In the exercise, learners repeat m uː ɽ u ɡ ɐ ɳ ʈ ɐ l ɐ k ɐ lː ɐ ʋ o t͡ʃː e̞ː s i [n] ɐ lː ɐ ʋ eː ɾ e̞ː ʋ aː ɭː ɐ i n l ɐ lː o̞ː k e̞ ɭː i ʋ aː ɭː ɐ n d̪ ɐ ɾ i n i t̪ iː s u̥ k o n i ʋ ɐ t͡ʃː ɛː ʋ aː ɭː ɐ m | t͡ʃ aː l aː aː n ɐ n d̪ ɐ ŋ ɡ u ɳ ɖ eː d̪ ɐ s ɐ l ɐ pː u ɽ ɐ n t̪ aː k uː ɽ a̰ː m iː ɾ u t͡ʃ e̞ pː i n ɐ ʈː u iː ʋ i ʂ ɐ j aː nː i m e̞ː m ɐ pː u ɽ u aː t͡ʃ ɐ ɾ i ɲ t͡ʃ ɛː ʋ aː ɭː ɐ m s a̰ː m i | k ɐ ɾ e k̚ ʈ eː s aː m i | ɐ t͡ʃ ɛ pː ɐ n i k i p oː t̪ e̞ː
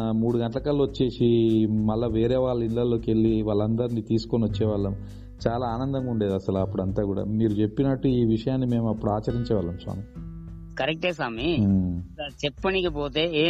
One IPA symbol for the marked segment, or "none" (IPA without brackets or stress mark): m